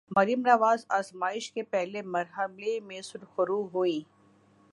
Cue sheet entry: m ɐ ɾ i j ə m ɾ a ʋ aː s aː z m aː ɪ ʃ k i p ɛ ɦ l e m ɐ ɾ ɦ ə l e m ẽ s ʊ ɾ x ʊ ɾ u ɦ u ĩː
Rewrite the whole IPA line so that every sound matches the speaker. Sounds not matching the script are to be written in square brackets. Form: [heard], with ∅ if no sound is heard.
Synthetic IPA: m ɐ ɾ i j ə m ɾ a ʋ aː [z] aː z m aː ɪ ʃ k [e] p ɛ ɦ l e m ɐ ɾ ɦ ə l e m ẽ s ʊ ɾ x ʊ ɾ u ɦ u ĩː